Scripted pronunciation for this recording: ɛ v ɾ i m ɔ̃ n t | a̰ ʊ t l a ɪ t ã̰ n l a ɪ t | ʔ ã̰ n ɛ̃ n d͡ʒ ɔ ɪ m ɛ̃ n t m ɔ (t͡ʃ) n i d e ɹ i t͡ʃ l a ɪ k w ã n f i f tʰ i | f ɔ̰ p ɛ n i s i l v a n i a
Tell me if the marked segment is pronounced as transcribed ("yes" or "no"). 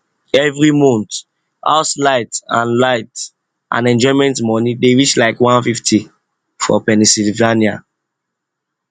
no